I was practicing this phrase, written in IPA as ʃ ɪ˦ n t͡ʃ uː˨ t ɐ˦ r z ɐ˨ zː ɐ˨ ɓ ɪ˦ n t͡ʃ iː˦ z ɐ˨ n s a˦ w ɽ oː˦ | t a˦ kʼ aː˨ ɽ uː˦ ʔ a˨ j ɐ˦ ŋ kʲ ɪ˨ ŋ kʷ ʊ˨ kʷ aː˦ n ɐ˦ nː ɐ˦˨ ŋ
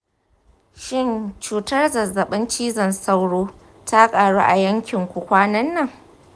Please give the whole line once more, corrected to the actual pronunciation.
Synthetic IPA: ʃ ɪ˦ n t͡ʃ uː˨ t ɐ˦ r z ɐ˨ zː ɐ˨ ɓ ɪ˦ n t͡ʃ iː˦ z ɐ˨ n s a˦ w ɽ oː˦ | t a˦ kʼ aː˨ ɽ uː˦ ʔ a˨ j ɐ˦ ŋ kʲ ɪ˨ ŋ kʷ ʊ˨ kʷ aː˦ n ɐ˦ nː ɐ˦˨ ŋ